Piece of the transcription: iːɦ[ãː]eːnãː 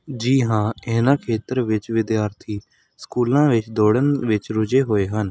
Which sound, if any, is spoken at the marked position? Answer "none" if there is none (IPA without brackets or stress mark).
ãː